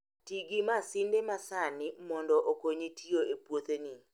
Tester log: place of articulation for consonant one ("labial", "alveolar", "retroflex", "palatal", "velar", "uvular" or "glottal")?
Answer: alveolar